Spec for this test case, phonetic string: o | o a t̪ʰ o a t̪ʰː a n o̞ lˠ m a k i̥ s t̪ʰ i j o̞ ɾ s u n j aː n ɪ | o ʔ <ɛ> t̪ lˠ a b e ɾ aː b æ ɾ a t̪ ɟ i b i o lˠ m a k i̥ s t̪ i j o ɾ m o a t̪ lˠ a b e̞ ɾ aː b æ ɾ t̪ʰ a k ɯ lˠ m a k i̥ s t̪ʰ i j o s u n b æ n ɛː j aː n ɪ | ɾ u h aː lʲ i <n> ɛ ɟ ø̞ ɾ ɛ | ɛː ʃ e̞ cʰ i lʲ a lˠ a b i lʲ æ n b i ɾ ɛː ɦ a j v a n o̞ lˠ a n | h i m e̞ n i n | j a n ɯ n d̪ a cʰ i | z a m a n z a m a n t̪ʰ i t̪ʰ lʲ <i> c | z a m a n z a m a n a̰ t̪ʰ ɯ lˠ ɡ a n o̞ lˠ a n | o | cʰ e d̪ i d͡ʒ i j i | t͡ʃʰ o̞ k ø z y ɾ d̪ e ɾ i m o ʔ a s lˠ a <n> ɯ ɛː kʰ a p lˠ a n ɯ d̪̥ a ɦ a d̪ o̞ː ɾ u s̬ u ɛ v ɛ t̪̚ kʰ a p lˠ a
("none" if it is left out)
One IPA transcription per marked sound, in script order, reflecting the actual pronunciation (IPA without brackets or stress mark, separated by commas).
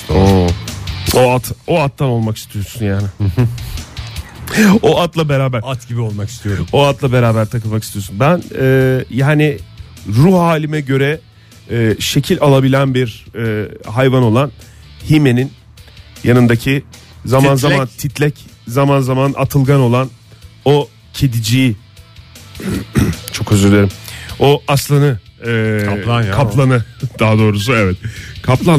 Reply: a, m, ɛ, n